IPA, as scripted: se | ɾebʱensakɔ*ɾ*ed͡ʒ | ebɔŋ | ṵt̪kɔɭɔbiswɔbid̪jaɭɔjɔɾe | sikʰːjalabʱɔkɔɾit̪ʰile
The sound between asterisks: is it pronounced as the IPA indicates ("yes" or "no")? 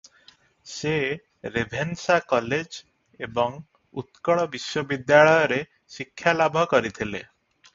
no